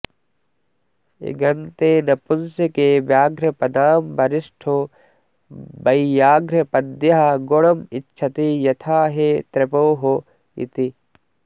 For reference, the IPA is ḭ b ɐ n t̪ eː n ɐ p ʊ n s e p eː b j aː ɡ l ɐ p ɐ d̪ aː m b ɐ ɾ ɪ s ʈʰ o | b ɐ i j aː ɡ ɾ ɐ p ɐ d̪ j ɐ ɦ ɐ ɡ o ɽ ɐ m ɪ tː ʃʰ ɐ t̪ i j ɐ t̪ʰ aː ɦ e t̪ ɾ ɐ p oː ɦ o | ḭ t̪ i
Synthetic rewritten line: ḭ ɡ ɐ n t̪ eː n ɐ p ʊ n s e k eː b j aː ɡ ɾ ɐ p ɐ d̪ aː m b ɐ ɾ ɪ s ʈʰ o | b ɐ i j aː ɡ ɾ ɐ p ɐ d̪ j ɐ ɦ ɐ ɡ o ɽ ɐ m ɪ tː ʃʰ ɐ t̪ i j ɐ t̪ʰ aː ɦ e t̪ ɾ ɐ p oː ɦ o | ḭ t̪ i